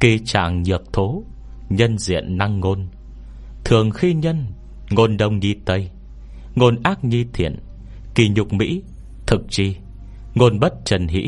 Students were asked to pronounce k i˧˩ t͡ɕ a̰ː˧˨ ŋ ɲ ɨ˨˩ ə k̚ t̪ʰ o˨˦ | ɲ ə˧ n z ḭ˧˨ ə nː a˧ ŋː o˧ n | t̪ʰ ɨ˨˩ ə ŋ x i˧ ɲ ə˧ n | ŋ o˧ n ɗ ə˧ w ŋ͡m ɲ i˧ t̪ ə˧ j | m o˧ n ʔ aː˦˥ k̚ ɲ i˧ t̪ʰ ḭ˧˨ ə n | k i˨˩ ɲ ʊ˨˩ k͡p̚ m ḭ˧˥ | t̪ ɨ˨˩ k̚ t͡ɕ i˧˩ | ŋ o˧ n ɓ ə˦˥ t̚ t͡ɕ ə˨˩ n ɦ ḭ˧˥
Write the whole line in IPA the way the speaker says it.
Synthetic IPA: k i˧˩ t͡ɕ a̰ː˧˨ ŋ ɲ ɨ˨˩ ə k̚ t̪ʰ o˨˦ | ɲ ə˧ n z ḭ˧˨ ə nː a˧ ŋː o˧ n | t̪ʰ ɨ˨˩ ə ŋ x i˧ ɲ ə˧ n | ŋ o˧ n ɗ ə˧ w ŋ͡m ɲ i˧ t̪ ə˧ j | ŋ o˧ n ʔ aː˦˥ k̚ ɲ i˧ t̪ʰ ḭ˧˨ ə n | k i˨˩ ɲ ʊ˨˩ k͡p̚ m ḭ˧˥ | t̪ʰ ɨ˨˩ k̚ t͡ɕ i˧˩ | ŋ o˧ n ɓ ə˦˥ t̚ t͡ɕ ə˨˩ n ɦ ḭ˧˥